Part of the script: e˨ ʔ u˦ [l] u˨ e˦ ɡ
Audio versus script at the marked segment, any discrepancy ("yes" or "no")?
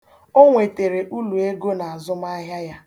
no